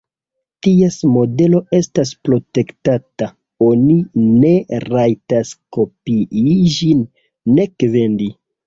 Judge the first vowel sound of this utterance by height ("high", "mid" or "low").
high